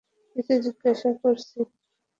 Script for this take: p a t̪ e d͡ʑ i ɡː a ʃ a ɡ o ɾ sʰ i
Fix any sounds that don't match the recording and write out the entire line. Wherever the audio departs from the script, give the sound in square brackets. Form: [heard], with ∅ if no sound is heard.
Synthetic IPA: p [i] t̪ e d͡ʑ i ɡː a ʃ a [k] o ɾ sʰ i